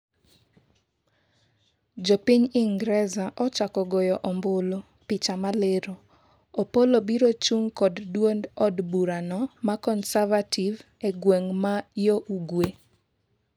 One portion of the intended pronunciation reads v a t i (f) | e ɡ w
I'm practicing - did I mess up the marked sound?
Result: yes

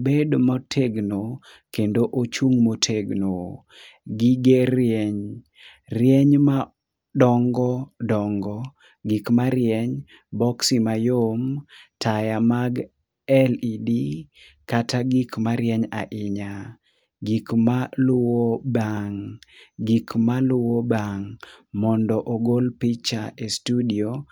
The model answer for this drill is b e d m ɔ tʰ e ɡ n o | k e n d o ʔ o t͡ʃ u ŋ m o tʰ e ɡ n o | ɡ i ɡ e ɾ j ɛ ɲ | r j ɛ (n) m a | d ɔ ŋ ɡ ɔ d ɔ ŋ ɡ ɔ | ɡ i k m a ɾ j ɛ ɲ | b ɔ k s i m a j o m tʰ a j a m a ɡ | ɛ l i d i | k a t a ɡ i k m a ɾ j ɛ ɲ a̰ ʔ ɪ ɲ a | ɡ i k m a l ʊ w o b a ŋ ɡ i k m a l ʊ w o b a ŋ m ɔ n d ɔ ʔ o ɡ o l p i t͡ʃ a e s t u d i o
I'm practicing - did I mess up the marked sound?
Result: yes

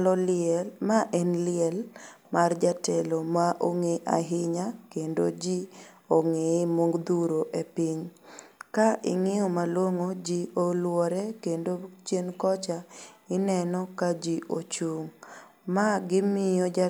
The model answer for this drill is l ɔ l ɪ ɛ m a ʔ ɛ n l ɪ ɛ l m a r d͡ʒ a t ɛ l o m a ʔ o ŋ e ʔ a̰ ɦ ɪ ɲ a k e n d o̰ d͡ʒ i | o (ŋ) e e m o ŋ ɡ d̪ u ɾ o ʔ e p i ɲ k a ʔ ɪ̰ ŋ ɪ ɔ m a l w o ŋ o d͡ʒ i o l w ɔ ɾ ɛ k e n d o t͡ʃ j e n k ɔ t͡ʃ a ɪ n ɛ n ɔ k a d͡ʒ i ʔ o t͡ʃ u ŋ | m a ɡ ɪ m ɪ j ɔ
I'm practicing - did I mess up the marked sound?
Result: no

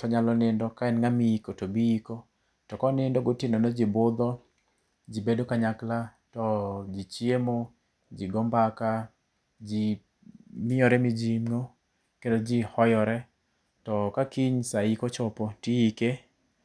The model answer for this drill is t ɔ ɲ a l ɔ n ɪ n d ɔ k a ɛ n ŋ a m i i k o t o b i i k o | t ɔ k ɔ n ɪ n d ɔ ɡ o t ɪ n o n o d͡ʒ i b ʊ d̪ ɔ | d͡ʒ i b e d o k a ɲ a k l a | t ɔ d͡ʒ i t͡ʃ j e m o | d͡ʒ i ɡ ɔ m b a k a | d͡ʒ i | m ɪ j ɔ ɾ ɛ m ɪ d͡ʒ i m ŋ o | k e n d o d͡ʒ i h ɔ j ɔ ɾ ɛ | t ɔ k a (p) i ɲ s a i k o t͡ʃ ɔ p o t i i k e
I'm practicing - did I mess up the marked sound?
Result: yes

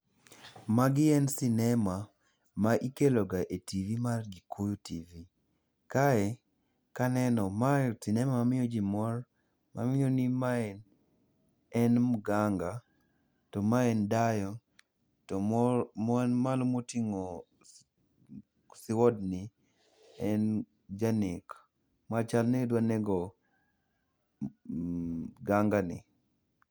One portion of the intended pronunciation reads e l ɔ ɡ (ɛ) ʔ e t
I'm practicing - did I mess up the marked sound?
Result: yes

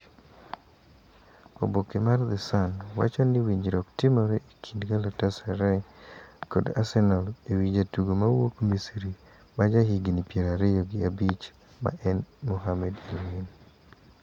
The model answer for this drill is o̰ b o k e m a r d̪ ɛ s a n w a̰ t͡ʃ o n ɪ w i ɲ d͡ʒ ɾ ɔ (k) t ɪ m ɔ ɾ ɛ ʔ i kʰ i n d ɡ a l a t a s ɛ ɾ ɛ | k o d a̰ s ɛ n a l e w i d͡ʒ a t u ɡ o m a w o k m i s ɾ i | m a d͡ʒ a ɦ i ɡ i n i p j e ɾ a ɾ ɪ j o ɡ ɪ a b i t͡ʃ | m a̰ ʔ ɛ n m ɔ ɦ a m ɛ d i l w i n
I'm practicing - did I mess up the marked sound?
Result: no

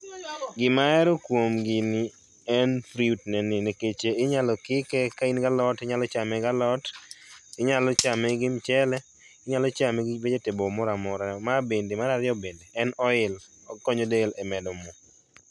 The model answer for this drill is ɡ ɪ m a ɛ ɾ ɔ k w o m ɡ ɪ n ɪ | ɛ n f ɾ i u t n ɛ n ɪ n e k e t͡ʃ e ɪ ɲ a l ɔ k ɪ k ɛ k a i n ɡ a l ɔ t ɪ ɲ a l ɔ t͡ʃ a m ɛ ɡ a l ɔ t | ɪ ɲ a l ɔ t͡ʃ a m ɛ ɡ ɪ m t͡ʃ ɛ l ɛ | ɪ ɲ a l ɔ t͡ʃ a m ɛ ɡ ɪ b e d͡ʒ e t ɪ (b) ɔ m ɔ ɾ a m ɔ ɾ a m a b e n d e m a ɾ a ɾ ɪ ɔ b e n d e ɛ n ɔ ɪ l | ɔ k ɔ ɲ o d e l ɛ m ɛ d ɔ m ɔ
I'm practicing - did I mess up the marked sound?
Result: no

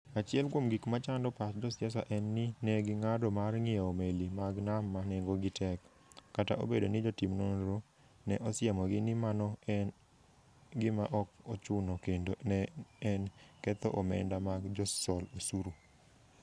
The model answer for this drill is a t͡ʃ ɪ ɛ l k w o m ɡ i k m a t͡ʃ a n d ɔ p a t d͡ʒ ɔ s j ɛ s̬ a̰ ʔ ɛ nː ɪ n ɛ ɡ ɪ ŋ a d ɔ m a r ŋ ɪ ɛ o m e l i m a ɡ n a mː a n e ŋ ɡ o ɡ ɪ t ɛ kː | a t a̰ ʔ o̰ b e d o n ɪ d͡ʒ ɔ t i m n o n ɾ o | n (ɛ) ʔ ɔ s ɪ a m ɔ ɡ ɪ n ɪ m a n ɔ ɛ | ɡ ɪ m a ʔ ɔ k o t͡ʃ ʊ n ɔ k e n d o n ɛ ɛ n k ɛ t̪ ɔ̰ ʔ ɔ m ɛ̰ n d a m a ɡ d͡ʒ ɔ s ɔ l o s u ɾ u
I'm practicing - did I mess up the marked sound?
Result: no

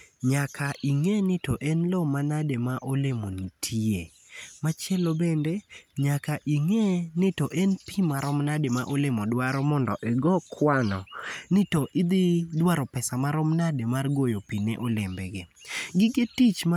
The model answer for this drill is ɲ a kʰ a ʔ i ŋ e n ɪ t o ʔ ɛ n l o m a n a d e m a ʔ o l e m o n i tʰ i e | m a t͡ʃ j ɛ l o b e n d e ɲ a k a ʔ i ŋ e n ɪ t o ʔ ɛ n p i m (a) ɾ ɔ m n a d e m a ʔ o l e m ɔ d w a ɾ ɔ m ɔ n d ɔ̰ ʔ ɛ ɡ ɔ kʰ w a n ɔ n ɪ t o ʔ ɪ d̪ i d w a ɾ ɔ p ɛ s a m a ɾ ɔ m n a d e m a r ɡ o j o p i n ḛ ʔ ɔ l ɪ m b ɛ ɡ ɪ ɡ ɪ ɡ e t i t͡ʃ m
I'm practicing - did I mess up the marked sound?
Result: no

